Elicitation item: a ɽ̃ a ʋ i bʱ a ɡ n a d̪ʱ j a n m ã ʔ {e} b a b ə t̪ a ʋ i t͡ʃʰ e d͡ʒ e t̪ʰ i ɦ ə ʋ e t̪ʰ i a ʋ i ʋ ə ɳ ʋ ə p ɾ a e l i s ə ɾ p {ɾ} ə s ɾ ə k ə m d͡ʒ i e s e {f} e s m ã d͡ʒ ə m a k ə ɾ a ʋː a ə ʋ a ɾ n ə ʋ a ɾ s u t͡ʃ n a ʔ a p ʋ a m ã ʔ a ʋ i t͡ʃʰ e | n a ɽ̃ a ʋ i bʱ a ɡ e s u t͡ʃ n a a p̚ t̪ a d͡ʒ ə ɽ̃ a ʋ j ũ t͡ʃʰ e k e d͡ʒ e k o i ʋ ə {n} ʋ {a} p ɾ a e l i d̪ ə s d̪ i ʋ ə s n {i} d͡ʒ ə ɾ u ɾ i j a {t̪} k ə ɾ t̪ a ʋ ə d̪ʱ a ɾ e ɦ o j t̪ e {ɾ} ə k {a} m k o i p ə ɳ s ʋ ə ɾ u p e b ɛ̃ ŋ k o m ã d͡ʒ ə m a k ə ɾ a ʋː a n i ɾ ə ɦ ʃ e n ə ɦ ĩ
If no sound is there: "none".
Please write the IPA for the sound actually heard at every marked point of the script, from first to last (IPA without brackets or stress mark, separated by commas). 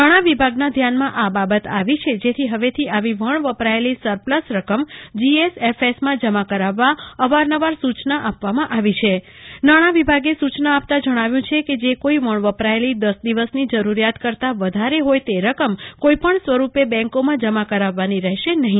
a, l, f, ɳ, ə, i, t̪, ɾ, ə